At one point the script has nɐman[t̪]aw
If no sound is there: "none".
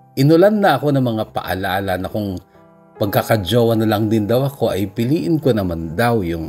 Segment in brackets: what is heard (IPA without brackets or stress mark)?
d̪